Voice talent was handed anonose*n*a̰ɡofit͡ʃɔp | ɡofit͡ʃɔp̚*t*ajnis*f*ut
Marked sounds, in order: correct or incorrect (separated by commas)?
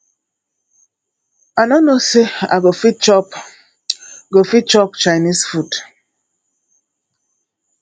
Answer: incorrect, incorrect, correct